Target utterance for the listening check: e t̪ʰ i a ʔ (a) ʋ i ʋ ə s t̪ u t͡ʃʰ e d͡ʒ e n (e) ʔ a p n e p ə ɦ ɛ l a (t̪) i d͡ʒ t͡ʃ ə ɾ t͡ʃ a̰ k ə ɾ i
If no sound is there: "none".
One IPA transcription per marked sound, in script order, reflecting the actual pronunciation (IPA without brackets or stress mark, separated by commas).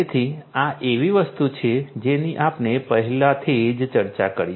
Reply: e, i, t̪ʰ